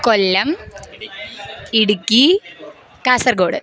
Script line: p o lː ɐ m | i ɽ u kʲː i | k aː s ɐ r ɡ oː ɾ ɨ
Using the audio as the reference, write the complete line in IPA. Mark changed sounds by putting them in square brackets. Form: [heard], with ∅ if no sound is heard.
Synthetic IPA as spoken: [k] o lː ɐ m | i ɽ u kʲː i | k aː s ɐ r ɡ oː [ɽ] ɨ